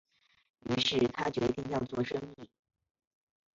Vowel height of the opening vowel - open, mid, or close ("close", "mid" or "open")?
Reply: close